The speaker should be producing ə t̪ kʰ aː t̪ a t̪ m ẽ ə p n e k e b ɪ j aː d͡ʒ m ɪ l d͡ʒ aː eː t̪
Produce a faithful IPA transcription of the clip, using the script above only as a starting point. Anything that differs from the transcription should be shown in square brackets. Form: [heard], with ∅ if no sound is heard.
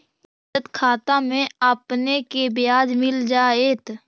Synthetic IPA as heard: ə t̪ kʰ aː t̪ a [∅] m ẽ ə p n e k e b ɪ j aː d͡ʒ m ɪ l d͡ʒ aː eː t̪